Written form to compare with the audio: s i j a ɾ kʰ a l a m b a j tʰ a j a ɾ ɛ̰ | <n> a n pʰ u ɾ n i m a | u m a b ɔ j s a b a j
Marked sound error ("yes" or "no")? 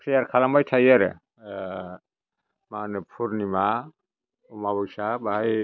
yes